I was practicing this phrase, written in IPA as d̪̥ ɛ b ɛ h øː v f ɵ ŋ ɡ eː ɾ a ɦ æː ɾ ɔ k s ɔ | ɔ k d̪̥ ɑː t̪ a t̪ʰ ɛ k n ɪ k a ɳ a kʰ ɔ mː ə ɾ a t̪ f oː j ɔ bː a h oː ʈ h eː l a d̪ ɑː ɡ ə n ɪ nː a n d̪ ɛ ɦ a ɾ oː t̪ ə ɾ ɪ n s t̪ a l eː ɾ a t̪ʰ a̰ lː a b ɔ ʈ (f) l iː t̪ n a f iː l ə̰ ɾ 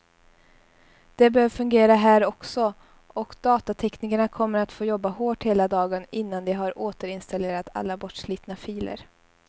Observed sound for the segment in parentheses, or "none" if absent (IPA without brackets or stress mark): ʂ